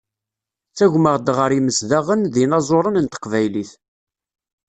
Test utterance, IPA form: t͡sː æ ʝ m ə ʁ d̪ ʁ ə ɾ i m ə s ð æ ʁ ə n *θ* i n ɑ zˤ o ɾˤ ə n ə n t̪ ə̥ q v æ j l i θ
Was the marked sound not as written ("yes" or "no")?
yes